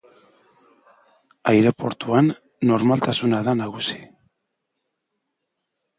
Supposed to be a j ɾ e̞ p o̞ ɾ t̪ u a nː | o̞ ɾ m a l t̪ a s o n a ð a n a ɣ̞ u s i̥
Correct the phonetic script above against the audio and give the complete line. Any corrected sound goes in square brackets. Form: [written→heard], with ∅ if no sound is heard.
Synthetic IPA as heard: a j ɾ e̞ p o̞ ɾ t̪ u a nː | o̞ ɾ m a l t̪ a s [o→u] n a ð a n a ɣ̞ u s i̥